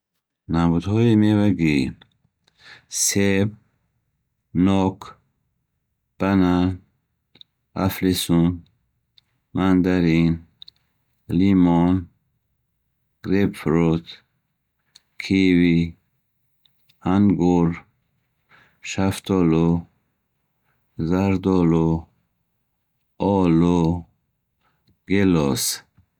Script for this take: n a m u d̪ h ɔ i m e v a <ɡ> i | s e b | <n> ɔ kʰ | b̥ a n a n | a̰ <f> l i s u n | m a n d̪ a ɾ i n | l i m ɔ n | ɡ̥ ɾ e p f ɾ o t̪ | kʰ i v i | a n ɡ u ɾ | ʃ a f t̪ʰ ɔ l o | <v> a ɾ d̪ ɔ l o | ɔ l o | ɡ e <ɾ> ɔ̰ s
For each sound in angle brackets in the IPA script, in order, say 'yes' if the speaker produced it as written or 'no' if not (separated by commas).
yes, yes, yes, no, no